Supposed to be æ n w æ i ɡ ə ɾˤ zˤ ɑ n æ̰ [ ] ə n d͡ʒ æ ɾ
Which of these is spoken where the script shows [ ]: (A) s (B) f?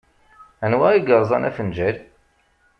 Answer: B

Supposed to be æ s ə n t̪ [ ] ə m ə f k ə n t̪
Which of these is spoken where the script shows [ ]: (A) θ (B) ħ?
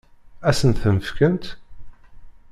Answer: A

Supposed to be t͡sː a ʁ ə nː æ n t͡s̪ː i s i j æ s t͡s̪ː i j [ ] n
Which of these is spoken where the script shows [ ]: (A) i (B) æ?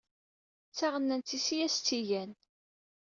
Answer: B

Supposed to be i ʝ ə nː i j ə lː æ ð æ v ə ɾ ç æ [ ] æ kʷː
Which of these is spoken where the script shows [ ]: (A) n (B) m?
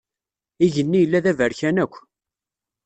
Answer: A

